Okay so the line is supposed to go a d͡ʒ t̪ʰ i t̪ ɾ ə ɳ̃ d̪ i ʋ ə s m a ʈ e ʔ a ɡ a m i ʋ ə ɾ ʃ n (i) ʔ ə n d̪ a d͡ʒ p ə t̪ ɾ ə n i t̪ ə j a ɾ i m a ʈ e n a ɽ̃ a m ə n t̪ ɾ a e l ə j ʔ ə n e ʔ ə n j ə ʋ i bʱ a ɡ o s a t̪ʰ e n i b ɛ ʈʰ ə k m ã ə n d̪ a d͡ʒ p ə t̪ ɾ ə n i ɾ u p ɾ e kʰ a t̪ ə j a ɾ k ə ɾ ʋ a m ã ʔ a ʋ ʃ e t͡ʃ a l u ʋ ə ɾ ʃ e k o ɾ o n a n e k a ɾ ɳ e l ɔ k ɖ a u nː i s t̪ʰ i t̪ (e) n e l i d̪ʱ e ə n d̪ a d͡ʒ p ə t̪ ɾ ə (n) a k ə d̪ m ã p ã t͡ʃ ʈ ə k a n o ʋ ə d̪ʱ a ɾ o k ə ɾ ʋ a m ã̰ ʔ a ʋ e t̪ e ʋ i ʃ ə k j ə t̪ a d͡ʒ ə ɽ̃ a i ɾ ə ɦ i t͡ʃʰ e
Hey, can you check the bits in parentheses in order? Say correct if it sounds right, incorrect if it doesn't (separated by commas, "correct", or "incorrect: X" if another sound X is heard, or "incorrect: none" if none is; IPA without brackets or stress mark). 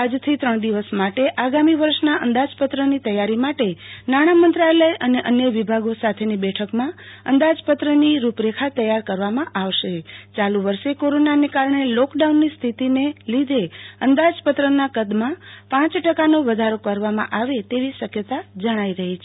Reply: incorrect: a, incorrect: i, correct